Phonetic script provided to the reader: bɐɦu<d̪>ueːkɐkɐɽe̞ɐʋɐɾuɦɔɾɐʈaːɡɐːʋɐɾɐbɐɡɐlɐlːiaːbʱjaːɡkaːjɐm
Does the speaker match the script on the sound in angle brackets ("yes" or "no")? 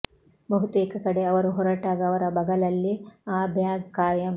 no